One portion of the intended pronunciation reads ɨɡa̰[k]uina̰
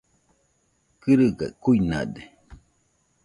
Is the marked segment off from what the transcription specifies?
no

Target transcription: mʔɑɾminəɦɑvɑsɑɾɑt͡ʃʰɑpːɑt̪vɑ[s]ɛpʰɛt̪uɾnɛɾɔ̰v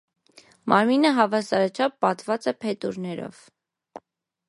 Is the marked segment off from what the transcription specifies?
yes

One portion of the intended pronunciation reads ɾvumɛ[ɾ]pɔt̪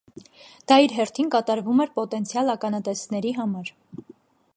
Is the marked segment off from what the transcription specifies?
no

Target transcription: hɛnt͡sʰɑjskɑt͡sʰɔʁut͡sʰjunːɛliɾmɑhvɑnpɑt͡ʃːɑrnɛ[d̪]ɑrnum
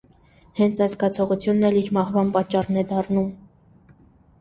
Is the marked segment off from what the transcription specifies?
no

